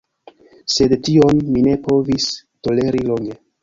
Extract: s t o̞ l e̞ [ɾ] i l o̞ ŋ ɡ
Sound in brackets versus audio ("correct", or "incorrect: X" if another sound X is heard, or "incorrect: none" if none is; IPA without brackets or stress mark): correct